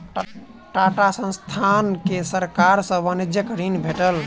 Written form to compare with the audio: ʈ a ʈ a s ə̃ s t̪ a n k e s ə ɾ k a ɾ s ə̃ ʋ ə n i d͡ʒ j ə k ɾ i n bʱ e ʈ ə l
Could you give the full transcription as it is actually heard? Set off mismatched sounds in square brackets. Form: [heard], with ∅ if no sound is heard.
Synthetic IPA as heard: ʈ a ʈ a s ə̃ s [t̪ʰ] a n k e s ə ɾ k a ɾ s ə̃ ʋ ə n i d͡ʒ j ə k ɾ i n bʱ e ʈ ə l